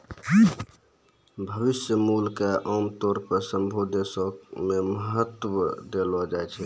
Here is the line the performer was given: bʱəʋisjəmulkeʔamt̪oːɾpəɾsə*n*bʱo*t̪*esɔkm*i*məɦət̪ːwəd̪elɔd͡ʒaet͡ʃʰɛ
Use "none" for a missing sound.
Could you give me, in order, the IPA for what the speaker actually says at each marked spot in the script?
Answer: m, d̪, e

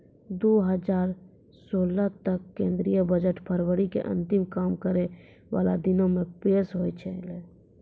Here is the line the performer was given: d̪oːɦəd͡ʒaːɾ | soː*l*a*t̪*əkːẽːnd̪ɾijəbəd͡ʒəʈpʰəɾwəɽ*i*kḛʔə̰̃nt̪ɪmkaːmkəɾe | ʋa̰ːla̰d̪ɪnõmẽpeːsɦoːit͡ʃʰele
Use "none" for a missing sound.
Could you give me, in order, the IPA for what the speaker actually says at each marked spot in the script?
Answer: l, t̪, i

